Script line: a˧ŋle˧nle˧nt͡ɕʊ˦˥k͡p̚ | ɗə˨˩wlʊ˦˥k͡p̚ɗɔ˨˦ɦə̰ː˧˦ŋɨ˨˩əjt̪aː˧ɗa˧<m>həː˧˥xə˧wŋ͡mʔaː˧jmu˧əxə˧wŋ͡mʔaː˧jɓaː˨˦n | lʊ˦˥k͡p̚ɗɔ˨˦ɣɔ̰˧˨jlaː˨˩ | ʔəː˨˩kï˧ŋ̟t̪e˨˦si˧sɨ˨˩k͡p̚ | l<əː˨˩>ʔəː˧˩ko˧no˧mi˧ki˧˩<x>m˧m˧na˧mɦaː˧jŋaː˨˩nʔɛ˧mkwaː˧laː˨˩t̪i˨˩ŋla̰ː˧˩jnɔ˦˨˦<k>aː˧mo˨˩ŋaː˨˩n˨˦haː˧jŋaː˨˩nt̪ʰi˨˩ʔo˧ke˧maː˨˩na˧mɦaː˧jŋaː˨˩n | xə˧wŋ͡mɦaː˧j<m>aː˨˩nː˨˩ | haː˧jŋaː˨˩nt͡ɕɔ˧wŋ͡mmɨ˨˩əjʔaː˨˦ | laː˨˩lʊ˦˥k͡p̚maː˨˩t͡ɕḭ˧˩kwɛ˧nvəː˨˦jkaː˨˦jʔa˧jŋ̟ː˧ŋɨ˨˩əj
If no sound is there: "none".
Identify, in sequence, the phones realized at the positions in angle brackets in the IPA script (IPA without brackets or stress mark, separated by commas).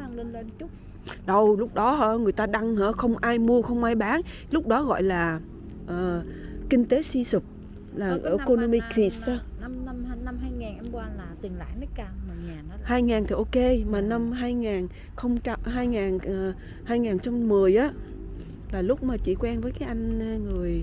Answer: ŋ, aː˨˩, s, k, ŋ